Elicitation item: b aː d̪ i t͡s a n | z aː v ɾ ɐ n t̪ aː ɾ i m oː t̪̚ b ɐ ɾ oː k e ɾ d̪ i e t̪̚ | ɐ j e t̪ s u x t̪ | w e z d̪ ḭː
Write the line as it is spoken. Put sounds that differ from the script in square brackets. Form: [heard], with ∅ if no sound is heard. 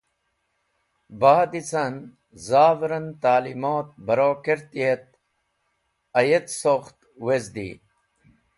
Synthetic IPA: b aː d̪ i t͡s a n | z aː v ɾ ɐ n t̪ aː [l] i m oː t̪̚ b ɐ ɾ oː k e ɾ [t̪] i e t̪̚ | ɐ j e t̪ s [o] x t̪ | w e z d̪ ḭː